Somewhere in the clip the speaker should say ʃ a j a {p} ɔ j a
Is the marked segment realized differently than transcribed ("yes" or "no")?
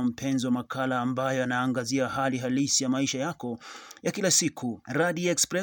yes